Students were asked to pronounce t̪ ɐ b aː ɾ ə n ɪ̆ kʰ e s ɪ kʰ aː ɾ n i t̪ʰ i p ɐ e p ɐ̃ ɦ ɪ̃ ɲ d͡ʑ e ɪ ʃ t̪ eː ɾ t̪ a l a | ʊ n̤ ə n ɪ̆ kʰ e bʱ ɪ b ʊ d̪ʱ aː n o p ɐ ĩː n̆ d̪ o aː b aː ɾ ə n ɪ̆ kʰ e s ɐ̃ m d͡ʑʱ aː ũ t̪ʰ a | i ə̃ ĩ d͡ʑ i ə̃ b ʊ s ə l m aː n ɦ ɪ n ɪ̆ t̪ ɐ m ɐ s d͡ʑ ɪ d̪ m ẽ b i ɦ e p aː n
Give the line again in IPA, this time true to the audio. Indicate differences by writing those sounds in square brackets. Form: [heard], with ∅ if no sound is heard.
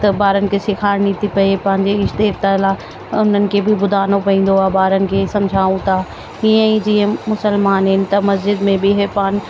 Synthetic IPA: t̪ ɐ b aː ɾ ə n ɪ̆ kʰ e s ɪ kʰ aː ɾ n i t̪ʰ i p ɐ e p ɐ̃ ɦ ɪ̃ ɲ d͡ʑ e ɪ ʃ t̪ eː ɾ t̪ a l a | ʊ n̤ ə n ɪ̆ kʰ e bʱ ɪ b ʊ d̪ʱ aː n o p ɐ ĩː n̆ d̪ o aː b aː ɾ ə n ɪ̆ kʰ e s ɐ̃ m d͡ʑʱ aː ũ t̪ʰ a | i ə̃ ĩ d͡ʑ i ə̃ [m] ʊ s ə l m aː n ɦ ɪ n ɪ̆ t̪ ɐ m ɐ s d͡ʑ ɪ d̪ m ẽ b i ɦ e p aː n